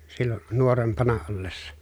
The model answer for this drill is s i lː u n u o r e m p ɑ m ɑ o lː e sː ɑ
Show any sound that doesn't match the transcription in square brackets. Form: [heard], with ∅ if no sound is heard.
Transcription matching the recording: s i lː [o] n u o r e m p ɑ [n] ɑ o lː e sː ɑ

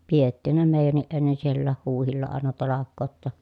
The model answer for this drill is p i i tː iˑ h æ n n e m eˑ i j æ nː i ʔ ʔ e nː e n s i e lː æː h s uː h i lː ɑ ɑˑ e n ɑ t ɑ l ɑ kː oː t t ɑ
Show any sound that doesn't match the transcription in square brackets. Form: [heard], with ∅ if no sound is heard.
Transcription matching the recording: p i [e] tː iˑ h æ n n e m eˑ i j æ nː i ʔ ʔ e nː e n s i e lː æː h [h] uː h i lː ɑ ɑˑ e n ɑ t ɑ l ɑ kː oː t t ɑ

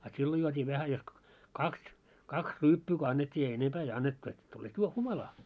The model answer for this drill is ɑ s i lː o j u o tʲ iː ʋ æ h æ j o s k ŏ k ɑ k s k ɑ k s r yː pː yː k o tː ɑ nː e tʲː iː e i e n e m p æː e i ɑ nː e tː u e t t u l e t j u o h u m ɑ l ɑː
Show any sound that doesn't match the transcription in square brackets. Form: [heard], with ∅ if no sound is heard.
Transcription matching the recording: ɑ s i lː o j u o tʲ iː ʋ æ h æ j o s k ŏ k ɑ k s k ɑ k s r yː pː yː k o [∅] ɑ nː e tʲː iː e i e n e m p æː e i ɑ nː e tː u e t t u l e t j u o h u m ɑ l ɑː

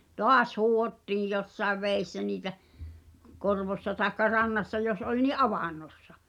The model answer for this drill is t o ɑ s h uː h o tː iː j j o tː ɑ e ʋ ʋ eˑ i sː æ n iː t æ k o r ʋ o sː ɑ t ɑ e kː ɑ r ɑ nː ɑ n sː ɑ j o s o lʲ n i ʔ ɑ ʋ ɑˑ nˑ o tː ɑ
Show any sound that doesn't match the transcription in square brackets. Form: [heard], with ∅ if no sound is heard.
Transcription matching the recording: t o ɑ s h uː h o tː iː j j o [sː] ɑ e ʋ ʋ eˑ i sː æ n iː t æ k o r ʋ o sː ɑ t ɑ e kː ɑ r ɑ nː ɑ [∅] sː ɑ j o s o lʲ n i ʔ ɑ ʋ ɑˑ nˑ o [sː] ɑ

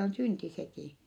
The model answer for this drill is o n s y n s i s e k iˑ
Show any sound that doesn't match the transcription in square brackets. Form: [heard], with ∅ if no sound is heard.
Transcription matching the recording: o n s y n [t] i s e k iˑ

